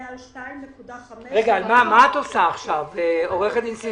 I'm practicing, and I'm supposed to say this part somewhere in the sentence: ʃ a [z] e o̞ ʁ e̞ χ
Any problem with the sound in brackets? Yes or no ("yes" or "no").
yes